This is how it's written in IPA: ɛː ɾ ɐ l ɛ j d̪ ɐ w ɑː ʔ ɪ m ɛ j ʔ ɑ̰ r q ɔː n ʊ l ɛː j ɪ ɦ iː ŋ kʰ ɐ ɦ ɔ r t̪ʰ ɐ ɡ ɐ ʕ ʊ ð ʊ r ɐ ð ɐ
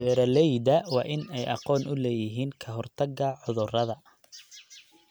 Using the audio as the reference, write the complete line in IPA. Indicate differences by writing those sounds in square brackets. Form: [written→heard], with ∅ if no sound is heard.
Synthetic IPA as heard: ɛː ɾ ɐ l ɛ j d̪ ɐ w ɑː ʔ ɪ [m→n] ɛ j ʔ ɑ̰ [r→∅] q ɔː n ʊ l ɛː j ɪ ɦ iː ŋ kʰ ɐ ɦ ɔ r t̪ʰ ɐ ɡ ɐ ʕ ʊ ð ʊ r ɐ ð ɐ

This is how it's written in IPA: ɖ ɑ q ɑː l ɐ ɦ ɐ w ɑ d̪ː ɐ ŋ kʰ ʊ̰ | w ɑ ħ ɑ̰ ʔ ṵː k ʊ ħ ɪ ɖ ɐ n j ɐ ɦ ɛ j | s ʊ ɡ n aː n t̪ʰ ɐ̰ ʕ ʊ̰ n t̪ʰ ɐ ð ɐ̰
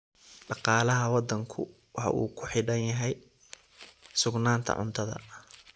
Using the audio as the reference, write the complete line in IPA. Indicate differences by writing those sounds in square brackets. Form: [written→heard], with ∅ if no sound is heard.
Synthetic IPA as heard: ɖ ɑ q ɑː l ɐ ɦ ɐ w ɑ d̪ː ɐ ŋ kʰ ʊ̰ | w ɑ ħ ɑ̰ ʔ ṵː [k→kʰ] ʊ ħ ɪ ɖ ɐ n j ɐ ɦ ɛ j | s ʊ ɡ n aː n t̪ʰ ɐ̰ ʕ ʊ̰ n t̪ʰ ɐ ð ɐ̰

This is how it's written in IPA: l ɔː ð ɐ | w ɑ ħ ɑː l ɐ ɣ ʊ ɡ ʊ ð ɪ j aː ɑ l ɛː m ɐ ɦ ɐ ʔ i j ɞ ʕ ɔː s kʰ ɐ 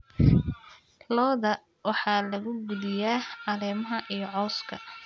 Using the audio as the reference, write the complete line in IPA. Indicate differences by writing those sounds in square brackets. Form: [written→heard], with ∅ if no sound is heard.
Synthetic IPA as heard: l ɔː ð ɐ | w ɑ ħ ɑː l ɐ ɣ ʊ ɡ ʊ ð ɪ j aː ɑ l ɛː m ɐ ɦ ɐ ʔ i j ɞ ʕ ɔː s kʰ ɐ

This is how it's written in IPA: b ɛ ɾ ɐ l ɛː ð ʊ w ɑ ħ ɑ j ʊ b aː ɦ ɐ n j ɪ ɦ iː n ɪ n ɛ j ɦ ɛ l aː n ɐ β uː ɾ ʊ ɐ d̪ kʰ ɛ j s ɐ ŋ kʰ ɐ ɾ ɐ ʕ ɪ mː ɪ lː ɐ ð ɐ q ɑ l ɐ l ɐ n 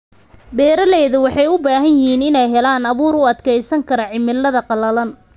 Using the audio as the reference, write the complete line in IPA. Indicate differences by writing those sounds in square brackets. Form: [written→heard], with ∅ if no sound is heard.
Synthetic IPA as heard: b [ɛ→ɛː] ɾ ɐ l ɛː ð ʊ w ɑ ħ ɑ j ʊ b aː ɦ ɐ n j ɪ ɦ iː n ɪ n ɛ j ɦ ɛ l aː n ɐ β uː ɾ ʊ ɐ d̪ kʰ ɛ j s ɐ ŋ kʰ ɐ ɾ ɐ ʕ ɪ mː ɪ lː ɐ ð ɐ q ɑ l ɐ l ɐ n

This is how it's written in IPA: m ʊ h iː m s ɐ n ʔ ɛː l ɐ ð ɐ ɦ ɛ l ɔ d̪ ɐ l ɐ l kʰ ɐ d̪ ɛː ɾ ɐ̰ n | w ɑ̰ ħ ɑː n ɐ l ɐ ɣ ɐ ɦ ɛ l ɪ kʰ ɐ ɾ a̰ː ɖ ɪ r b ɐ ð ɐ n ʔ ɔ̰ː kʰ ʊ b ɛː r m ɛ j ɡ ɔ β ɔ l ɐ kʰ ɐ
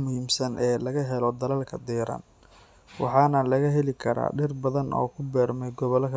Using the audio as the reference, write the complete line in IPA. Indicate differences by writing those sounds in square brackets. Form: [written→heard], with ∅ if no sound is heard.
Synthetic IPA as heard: m ʊ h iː m s ɐ n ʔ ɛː l ɐ [ð→ɣ] ɐ ɦ ɛ l ɔ d̪ ɐ l ɐ l kʰ ɐ d̪ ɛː ɾ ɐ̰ n | w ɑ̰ ħ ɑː n ɐ l ɐ ɣ ɐ ɦ ɛ l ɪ kʰ ɐ ɾ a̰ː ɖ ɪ r b ɐ ð ɐ n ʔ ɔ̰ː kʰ ʊ b ɛː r m ɛ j ɡ ɔ β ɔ l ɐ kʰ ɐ

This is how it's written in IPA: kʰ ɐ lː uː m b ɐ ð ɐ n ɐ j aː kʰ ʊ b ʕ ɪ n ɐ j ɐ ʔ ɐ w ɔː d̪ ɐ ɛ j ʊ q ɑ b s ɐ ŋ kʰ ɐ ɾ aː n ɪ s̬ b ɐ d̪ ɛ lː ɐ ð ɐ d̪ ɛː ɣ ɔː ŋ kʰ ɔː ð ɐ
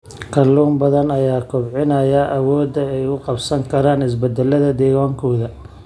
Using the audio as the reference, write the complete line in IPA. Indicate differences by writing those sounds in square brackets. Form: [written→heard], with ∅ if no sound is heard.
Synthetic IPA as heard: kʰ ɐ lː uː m b ɐ ð ɐ n ɐ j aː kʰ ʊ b ʕ ɪ n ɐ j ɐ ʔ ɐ w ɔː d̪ ɐ ɛ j ʊ q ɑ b s ɐ ŋ kʰ ɐ ɾ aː n ɪ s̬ b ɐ d̪ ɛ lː ɐ ð ɐ d̪ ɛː ɣ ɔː ŋ kʰ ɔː ð ɐ

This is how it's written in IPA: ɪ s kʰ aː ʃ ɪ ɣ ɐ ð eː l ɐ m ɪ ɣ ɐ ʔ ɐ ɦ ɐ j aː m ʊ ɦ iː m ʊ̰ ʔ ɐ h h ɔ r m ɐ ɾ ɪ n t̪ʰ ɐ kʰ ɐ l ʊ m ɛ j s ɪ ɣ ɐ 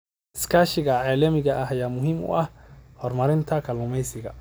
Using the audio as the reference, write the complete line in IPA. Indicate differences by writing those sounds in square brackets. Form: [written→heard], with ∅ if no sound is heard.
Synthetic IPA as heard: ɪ s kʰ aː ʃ ɪ ɣ ɐ [ð→ʕ] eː l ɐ m ɪ ɣ ɐ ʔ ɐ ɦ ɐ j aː m ʊ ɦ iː m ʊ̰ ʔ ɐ h h ɔ r m ɐ ɾ ɪ n t̪ʰ ɐ kʰ ɐ l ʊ m ɛ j s ɪ ɣ ɐ

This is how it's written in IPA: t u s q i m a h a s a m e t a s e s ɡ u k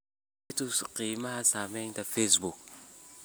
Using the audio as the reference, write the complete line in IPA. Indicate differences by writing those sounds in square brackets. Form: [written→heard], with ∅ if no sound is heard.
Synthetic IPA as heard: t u s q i m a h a s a m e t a [s→f] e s [ɡ→b] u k

